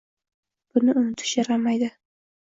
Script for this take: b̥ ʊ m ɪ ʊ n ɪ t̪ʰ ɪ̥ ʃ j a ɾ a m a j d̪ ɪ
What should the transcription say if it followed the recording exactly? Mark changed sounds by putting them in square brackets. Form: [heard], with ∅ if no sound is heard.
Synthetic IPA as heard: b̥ ʊ [n] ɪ ʊ n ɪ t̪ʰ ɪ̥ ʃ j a ɾ a m a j d̪ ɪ